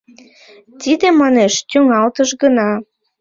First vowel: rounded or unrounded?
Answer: unrounded